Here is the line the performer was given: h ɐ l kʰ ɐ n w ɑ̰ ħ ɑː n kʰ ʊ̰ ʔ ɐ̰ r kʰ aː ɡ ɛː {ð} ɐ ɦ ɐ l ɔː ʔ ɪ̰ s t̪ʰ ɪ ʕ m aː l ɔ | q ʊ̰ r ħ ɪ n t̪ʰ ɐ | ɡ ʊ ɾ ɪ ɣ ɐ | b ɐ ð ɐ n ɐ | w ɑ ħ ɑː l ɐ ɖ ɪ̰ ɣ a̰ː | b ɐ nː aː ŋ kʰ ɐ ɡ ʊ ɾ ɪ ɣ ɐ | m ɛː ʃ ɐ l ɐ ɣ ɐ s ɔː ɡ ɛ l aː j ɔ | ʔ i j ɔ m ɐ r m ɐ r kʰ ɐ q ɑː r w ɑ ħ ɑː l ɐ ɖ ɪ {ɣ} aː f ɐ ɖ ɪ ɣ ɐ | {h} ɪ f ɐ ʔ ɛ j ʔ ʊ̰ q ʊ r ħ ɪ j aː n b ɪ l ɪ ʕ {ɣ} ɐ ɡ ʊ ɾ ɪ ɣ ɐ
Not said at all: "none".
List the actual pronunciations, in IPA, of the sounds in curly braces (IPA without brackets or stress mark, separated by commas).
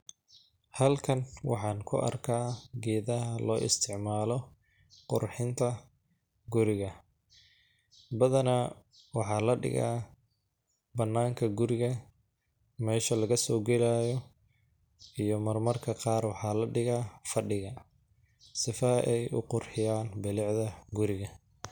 ð, ɣ, s, ð